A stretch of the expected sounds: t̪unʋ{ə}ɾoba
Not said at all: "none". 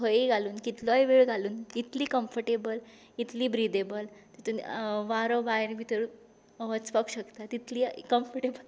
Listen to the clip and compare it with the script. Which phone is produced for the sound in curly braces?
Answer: a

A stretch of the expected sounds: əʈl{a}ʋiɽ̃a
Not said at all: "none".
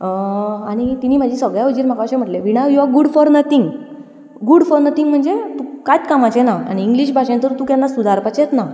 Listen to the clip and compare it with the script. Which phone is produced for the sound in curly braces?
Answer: e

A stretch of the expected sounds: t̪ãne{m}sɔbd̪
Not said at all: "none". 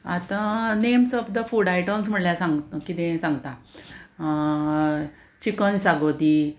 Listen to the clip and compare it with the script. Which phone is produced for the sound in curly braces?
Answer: m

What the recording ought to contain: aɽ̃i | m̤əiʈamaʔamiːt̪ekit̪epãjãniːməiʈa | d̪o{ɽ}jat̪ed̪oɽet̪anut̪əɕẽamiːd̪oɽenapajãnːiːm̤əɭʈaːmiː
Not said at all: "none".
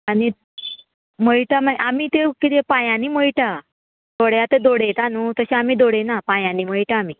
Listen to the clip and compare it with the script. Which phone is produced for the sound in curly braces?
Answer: ɽ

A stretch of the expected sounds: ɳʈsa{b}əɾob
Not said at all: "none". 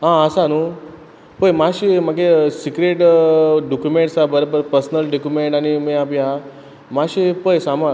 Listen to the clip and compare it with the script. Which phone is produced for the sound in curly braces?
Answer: b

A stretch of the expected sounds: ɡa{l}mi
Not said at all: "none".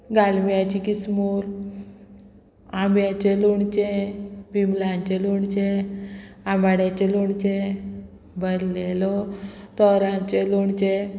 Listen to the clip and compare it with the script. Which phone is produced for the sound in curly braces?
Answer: l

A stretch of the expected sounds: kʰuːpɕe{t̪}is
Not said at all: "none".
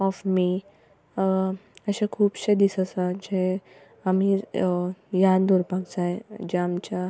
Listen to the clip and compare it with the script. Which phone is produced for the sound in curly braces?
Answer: d̪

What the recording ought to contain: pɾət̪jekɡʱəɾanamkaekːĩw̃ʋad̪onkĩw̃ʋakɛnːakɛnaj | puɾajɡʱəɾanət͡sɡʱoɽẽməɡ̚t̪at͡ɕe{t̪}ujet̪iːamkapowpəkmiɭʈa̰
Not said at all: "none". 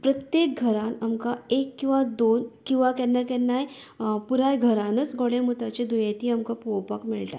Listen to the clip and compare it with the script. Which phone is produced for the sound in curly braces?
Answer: d̪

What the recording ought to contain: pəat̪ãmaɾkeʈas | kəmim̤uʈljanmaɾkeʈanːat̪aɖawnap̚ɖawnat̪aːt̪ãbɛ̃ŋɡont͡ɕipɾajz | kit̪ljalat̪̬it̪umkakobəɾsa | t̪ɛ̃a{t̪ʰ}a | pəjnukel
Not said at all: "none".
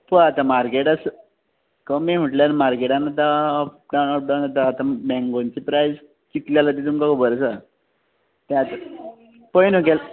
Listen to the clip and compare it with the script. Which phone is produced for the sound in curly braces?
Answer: t̪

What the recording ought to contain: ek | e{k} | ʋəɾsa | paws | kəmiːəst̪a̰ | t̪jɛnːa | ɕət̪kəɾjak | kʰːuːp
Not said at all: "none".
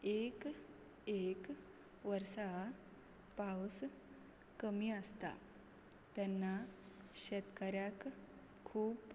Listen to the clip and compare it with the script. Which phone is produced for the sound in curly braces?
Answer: k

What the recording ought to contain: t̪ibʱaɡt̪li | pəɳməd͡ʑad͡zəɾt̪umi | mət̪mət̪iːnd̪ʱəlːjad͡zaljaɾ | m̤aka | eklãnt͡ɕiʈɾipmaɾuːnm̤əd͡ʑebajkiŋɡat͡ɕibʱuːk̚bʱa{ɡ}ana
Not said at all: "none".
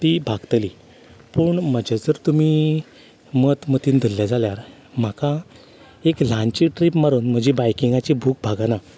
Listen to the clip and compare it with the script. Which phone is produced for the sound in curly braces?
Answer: ɡ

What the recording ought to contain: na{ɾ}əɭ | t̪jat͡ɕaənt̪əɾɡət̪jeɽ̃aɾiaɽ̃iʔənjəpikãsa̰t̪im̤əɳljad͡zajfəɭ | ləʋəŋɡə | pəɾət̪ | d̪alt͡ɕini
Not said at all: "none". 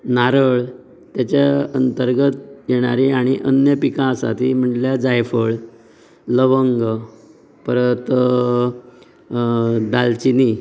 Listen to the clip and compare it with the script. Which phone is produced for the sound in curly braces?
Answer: ɾ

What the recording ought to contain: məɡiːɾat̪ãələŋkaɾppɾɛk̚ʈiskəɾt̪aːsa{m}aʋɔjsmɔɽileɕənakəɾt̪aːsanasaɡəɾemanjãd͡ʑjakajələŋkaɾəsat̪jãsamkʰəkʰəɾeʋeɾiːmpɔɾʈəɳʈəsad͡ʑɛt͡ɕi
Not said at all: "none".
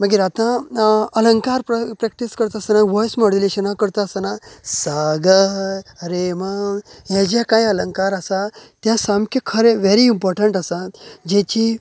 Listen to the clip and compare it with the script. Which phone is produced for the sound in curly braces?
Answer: n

